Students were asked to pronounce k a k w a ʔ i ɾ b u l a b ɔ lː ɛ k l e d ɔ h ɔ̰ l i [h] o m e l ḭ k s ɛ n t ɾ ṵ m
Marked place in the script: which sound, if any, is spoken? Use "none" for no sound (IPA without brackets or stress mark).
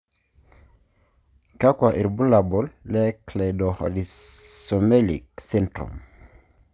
s